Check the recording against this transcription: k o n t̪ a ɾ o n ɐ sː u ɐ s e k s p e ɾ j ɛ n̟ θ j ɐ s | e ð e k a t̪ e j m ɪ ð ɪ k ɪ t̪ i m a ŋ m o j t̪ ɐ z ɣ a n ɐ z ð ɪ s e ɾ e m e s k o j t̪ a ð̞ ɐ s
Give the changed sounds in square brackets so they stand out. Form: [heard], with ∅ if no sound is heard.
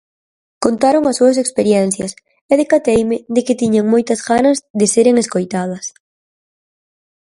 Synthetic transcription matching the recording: k o n t̪ a ɾ o [ŋ] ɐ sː u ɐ s e k s p e ɾ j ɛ n̟ θ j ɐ s | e ð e k a t̪ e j m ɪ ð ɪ k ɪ t̪ i [ɲ] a ŋ m o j t̪ ɐ z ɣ a n ɐ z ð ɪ s e ɾ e [ŋ] e s k o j t̪ a ð̞ ɐ s